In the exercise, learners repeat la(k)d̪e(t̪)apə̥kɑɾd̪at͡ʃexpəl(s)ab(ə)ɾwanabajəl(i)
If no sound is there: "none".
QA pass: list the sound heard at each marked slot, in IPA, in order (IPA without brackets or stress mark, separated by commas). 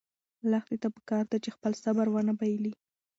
x, t̪, s, a, i